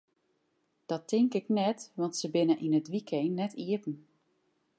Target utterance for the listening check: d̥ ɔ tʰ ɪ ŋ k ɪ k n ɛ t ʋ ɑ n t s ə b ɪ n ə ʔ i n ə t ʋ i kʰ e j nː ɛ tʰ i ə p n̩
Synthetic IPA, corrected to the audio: d̥ ɔ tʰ ɪ ŋ k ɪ k n ɛ t ʋ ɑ n t s ə b ɪ n ə ʔ i n ə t ʋ i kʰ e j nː ɛ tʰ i ə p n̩